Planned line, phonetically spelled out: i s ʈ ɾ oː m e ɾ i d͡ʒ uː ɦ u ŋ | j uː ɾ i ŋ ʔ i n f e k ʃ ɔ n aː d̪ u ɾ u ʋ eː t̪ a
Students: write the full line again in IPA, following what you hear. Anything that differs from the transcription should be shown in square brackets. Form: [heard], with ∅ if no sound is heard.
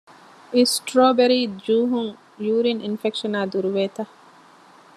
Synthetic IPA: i s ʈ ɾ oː [b] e ɾ i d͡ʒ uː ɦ u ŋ | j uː ɾ i [n] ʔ i n f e k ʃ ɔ n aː d̪ u ɾ u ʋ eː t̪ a